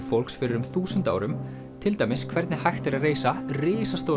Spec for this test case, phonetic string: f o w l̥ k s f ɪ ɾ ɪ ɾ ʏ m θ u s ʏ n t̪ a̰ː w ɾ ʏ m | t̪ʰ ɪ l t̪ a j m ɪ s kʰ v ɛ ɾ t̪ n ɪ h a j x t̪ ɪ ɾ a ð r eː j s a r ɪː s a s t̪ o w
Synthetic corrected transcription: f o w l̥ k s f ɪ ɾ ɪ ɾ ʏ m θ uː s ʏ n t̪ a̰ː w ɾ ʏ m | t̪ʰ ɪ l t̪ a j m ɪ s kʰ v ɛ ɾ t̪ n ɪ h a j x t̪ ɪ ɾ a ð r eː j s a r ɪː s a s t̪ o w